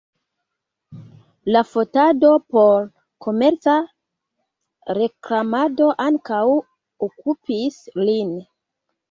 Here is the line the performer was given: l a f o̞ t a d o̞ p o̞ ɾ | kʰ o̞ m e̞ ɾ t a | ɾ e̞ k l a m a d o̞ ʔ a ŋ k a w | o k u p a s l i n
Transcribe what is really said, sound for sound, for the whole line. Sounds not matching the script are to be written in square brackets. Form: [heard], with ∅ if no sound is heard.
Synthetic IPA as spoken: l a f o̞ t a d o̞ p o̞ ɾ | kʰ o̞ m e̞ ɾ [t͡s] a | ɾ e̞ k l a m a d o̞ ʔ a ŋ k a w | o k u p [i] s l i n